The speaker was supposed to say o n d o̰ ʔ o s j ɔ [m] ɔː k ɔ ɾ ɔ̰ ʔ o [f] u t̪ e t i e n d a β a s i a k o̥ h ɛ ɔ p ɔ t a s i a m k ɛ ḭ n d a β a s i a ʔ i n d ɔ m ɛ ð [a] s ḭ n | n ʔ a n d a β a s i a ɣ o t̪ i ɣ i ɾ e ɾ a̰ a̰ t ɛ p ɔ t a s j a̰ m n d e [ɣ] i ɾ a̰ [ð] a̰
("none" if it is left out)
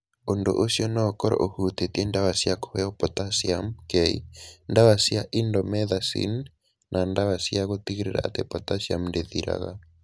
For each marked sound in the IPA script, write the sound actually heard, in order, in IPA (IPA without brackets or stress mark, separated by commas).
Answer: n, h, a, ð, ɣ